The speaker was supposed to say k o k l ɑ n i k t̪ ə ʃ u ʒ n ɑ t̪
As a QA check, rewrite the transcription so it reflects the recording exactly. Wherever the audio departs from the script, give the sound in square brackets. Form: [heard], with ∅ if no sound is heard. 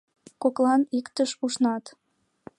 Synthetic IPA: k o k l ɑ n i k t̪ ə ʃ u [ʃ] n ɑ t̪